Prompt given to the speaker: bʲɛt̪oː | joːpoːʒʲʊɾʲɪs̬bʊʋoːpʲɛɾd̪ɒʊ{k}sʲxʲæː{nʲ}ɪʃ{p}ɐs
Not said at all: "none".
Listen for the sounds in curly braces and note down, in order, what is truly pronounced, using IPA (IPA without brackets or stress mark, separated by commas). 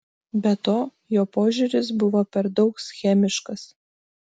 k, mʲ, k